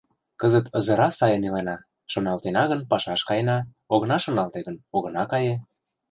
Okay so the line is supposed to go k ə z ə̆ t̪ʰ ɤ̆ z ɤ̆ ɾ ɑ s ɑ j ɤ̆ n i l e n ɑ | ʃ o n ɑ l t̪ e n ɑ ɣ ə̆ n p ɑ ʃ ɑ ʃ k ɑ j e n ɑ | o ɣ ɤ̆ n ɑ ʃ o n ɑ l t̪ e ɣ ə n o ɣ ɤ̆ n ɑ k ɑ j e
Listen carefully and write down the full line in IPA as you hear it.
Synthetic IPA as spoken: k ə z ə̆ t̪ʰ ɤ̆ z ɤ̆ ɾ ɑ s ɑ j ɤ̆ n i l e n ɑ | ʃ o n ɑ l t̪ e n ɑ ɣ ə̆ n p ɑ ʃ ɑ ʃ k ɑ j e n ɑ | o ɣ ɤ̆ n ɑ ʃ o n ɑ l t̪ e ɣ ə n o ɣ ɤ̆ n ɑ k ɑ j e